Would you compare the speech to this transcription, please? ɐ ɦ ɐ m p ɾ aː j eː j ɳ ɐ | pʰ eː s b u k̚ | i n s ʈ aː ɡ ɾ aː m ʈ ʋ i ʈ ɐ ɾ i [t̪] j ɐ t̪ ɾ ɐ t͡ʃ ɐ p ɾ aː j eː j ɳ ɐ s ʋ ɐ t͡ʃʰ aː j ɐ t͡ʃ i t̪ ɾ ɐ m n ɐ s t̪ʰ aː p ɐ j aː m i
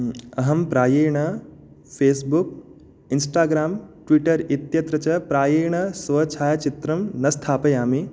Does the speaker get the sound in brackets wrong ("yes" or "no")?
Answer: no